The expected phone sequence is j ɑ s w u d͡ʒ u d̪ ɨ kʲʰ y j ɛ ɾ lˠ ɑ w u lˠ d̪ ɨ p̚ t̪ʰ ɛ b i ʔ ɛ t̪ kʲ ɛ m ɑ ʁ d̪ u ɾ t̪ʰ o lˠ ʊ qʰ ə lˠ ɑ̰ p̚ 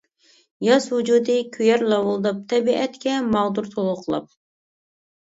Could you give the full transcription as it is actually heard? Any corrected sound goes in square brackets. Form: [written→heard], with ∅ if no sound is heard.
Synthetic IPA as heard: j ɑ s w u d͡ʒ u d̪ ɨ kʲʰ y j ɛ ɾ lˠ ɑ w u lˠ d̪ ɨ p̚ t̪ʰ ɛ b i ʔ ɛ t̪ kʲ ɛ m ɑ ʁ d̪ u ɾ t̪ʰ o lˠ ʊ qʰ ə lˠ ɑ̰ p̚